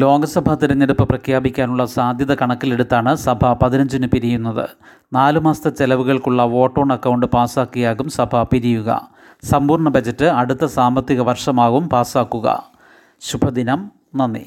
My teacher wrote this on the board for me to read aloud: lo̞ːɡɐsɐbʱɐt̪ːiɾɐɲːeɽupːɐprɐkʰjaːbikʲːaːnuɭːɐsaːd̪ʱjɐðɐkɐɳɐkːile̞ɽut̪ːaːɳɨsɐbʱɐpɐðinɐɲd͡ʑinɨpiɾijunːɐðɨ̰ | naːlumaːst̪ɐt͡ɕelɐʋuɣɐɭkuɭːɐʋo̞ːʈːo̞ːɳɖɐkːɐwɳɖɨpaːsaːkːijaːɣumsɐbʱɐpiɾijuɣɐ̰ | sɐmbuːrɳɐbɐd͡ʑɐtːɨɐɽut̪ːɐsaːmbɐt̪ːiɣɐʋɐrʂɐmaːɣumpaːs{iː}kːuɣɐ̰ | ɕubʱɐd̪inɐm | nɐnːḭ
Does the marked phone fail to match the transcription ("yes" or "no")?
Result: yes